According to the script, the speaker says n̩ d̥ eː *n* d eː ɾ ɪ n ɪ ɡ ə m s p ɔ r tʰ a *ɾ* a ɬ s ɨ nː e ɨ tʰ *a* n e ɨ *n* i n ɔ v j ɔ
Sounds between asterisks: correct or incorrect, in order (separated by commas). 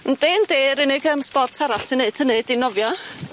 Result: correct, correct, incorrect, incorrect